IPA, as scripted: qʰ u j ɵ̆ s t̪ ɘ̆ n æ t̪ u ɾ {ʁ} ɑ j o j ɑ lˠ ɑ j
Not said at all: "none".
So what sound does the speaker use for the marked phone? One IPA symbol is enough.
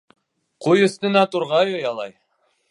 ʁ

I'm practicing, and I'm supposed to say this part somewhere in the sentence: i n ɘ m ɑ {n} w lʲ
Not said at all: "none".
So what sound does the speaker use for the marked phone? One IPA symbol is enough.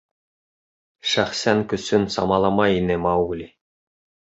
none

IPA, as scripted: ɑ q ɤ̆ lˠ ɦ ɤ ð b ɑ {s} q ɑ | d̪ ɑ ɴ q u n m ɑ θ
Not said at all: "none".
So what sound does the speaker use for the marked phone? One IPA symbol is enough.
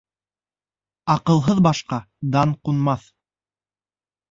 ʃ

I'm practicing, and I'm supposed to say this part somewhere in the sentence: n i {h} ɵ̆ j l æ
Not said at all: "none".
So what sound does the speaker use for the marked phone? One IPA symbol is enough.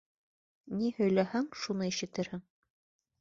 h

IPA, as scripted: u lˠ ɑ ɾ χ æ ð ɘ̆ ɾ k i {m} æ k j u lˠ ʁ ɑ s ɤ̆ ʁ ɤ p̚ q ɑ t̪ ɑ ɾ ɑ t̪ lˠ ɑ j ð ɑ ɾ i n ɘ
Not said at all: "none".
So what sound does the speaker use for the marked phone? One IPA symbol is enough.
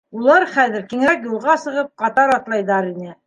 ŋ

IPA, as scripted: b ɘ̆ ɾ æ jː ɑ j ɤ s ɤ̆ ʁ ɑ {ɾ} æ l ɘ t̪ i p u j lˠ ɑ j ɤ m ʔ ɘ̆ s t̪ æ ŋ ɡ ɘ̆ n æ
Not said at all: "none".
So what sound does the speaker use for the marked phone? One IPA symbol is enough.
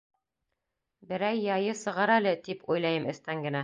ɾ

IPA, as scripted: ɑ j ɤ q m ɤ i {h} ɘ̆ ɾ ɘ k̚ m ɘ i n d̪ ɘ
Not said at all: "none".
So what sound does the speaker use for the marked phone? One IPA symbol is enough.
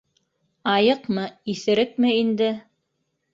θ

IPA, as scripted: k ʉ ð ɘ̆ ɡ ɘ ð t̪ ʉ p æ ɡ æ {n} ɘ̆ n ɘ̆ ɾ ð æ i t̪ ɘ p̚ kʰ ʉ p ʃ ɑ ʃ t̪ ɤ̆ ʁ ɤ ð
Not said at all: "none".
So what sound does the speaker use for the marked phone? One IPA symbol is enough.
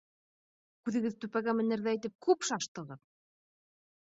m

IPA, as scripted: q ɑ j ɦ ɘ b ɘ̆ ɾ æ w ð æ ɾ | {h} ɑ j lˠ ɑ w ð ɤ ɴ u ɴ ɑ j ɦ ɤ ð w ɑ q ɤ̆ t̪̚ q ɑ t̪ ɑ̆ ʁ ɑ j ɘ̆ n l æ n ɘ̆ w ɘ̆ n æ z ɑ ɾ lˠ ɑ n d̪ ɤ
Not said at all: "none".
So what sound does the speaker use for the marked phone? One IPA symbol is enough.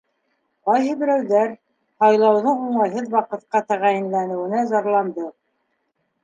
h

